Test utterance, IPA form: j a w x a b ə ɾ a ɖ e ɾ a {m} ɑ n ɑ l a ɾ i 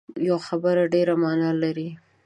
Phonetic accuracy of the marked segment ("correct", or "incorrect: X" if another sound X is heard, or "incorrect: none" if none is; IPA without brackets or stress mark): correct